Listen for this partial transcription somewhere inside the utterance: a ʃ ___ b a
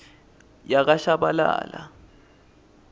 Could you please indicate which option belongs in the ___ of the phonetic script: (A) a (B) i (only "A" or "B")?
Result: A